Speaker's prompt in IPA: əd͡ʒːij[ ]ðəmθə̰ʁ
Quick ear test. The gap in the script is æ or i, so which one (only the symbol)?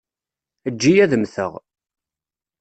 æ